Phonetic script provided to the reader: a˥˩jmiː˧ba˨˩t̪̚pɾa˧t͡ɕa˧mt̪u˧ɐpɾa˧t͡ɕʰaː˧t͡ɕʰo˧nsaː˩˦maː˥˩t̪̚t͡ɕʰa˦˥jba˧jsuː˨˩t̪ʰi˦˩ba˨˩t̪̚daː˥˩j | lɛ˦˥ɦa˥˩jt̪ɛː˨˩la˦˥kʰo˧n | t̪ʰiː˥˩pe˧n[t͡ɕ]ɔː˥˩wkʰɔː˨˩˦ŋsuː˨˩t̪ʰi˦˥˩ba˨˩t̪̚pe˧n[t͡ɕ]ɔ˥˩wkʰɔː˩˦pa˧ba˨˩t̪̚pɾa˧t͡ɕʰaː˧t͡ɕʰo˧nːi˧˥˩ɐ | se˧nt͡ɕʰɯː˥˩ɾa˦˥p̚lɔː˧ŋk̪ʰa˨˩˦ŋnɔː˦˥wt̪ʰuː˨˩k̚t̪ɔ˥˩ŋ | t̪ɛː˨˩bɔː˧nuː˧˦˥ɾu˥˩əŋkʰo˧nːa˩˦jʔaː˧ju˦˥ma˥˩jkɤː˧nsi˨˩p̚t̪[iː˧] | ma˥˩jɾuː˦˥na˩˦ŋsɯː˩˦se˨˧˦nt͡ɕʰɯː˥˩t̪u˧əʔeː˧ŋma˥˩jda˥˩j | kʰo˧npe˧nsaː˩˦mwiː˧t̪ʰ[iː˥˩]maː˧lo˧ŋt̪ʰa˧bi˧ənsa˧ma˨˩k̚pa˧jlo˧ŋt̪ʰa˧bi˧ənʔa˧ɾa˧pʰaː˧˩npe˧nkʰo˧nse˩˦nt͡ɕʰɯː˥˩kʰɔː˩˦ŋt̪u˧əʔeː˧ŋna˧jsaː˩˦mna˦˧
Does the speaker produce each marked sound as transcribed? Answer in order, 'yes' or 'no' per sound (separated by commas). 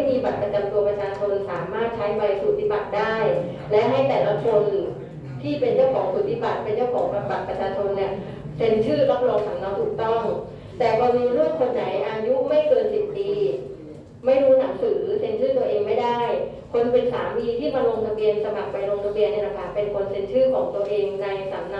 yes, yes, yes, yes